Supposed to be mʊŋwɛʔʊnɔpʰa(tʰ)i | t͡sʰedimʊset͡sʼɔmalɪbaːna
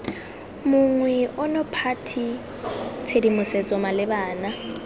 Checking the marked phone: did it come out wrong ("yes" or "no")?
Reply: no